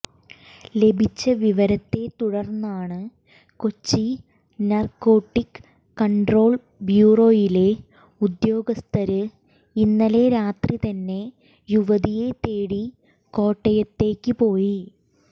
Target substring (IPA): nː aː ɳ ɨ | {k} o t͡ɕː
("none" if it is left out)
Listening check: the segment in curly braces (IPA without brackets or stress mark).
k